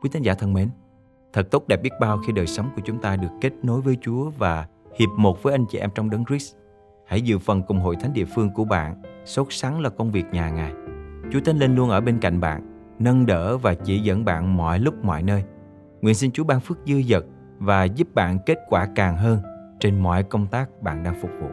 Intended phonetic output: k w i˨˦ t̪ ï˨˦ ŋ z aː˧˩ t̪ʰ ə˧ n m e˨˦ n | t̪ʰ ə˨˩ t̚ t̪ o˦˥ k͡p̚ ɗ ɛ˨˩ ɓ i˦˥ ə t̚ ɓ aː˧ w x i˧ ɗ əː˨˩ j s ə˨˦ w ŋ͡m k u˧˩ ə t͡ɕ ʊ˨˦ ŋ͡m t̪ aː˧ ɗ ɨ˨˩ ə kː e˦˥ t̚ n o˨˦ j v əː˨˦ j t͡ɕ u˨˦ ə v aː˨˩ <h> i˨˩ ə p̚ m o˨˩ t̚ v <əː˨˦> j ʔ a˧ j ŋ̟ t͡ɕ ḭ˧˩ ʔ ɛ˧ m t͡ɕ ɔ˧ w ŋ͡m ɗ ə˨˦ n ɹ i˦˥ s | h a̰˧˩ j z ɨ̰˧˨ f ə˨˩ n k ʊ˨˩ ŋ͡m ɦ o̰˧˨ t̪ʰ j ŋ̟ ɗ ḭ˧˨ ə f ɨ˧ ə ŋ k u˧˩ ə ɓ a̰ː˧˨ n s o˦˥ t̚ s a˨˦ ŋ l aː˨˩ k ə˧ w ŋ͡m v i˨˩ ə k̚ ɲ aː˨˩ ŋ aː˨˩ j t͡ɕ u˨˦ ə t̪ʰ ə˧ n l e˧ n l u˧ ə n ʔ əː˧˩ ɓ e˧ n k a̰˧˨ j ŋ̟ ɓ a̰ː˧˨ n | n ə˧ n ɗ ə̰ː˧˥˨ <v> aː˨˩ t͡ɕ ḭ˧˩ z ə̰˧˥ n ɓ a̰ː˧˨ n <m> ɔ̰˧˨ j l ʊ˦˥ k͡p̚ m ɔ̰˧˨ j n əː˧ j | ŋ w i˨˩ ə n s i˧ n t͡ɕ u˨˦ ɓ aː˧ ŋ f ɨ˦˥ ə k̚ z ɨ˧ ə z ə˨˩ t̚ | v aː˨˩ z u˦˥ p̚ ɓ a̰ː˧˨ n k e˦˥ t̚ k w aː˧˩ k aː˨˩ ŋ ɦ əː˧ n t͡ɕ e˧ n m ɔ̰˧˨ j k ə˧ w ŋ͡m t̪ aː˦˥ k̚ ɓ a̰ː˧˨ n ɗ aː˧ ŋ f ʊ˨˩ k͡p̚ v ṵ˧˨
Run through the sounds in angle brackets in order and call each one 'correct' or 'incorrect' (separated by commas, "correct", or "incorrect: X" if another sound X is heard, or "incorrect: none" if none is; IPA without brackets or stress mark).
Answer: correct, correct, correct, correct